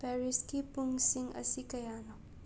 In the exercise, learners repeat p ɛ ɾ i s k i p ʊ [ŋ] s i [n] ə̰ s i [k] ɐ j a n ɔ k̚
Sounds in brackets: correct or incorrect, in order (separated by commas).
correct, incorrect, correct